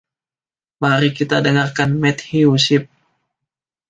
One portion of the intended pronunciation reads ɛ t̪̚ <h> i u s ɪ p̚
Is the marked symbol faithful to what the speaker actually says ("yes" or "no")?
yes